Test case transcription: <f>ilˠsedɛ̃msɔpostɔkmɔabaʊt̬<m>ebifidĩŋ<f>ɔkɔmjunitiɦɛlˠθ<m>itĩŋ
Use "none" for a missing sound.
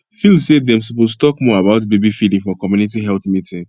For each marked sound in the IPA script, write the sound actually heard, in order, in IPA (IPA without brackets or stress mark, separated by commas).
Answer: f, b, f, m